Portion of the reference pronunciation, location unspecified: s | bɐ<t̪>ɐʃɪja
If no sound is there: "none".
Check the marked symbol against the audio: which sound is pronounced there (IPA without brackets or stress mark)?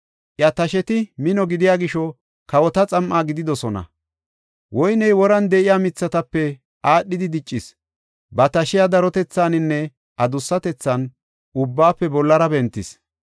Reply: t̪